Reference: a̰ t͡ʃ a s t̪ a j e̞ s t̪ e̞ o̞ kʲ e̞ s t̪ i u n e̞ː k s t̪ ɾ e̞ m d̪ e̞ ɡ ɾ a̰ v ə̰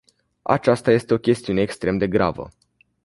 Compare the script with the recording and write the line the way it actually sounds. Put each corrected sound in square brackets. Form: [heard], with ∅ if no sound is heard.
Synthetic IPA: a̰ t͡ʃ a s t̪ a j e̞ s t̪ e̞ o̞ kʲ e̞ s t̪ i u n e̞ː k s t̪ ɾ e̞ m d̪ e̞ ɡ ɾ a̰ v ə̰